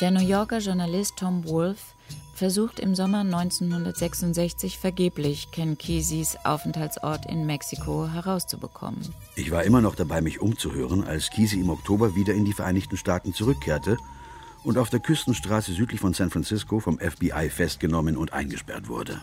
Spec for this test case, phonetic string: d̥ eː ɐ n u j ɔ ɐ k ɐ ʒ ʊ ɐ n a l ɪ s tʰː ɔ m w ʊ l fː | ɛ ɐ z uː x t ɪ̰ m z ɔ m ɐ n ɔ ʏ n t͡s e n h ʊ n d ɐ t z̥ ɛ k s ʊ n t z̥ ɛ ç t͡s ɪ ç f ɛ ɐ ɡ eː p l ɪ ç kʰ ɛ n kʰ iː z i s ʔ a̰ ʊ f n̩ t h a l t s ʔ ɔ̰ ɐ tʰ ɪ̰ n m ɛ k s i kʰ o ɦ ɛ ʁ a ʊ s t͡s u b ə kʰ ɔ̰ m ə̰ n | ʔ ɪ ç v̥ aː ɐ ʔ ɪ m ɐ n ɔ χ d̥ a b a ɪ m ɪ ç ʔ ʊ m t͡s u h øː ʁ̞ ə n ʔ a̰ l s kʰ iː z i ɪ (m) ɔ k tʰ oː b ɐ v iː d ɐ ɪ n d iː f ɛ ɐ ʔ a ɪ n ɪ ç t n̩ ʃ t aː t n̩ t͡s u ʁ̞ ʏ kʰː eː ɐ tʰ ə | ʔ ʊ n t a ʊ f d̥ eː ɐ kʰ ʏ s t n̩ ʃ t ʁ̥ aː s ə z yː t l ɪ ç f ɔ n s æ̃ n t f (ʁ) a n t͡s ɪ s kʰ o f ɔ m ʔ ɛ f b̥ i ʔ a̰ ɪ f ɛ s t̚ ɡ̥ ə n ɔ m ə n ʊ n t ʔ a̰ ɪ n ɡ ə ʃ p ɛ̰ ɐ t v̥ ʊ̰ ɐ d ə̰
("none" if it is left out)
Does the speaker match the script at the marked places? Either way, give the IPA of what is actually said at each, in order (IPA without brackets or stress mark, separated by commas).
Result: m, ʁ